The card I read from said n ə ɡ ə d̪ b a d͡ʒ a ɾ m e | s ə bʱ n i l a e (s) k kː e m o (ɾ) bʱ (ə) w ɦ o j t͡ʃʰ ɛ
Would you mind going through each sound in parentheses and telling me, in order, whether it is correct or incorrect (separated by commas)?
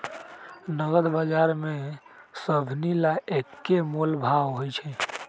incorrect, incorrect, incorrect